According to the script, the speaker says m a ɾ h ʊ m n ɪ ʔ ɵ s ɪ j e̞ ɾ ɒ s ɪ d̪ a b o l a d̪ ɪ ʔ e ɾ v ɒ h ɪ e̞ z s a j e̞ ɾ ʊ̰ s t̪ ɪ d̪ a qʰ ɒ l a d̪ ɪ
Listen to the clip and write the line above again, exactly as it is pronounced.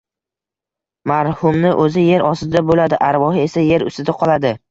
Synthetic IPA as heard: m a ɾ h ʊ m n ɪ ʔ ɵ z ɪ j e̞ ɾ ɒ s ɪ d̪ a b o l a d̪ ɪ ʔ a ɾ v ɒ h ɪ e̞ s a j e̞ ɾ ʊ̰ s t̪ ɪ d̪ a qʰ ɒ l a d̪ ɪ